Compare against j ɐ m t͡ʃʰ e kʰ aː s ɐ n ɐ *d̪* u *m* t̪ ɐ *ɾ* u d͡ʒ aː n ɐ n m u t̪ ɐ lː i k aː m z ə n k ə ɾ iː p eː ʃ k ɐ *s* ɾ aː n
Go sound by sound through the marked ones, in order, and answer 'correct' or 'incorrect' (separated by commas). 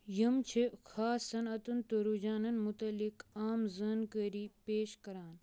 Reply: incorrect, incorrect, correct, incorrect